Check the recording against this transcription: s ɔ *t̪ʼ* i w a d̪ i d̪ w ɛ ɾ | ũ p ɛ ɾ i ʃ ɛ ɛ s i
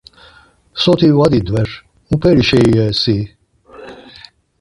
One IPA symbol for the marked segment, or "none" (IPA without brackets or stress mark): t̪